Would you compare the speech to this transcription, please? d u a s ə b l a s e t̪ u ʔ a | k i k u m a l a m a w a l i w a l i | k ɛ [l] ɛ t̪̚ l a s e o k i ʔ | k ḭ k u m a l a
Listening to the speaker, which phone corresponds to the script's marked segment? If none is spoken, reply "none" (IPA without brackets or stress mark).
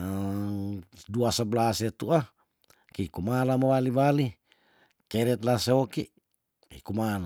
ɾ